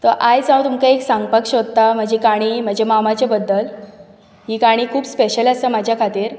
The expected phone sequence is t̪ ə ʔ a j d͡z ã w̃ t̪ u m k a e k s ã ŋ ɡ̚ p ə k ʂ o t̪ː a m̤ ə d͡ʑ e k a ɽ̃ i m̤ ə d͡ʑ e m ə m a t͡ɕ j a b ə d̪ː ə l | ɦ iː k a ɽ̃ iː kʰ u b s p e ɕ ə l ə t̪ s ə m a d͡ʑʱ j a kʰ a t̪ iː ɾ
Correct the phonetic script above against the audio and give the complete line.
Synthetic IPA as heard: t̪ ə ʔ a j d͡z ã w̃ t̪ u m k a e k s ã ŋ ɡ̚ p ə k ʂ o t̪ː a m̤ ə d͡ʑ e k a ɽ̃ i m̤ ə d͡ʑ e m a m a t͡ɕ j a b ə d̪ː ə l | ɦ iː k a ɽ̃ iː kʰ uː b s p e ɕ ə l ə s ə m a d͡ʑʱ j a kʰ a t̪ iː ɾ